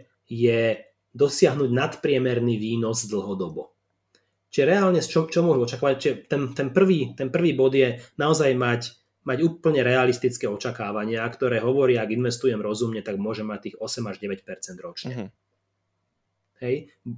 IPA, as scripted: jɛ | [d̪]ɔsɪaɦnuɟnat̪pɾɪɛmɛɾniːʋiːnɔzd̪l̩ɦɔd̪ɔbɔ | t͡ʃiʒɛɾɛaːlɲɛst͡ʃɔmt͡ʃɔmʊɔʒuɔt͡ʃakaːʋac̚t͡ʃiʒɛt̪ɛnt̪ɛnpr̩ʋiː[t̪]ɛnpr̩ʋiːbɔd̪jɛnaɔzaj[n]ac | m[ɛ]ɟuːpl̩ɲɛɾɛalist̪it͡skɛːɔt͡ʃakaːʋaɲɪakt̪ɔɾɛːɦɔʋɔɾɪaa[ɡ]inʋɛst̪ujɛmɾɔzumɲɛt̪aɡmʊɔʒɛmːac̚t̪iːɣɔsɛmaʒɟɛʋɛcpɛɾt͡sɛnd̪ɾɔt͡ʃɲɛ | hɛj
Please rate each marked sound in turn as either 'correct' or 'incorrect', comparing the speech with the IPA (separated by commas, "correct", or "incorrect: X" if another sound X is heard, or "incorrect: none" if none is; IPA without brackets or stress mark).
correct, correct, incorrect: m, incorrect: a, correct